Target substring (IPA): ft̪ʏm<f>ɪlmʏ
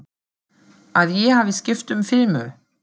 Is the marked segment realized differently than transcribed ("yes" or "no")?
no